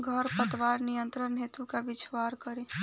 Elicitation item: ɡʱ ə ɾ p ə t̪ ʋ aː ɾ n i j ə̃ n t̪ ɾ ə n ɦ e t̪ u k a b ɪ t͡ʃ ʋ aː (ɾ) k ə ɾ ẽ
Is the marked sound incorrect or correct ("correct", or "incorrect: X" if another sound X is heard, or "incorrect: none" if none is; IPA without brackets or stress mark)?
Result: correct